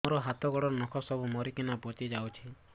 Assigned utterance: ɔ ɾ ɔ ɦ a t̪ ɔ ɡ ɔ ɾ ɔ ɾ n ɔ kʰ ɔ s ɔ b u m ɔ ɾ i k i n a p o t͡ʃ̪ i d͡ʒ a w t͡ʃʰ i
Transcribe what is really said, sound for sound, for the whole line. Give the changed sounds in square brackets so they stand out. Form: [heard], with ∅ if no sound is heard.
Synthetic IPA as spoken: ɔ ɾ ɔ ɦ a t̪ ɔ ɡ ɔ [ɽ] ɔ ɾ n ɔ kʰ ɔ s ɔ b u m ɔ ɾ i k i n a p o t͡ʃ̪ i d͡ʒ a w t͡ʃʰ i

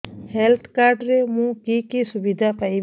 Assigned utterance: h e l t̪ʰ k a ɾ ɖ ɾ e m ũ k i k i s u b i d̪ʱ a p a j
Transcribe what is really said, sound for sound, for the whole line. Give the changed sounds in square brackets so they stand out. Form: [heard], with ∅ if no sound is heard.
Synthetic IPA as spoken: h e l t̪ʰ k a ɾ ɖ ɾ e m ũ k i k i s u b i d̪ʱ a p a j

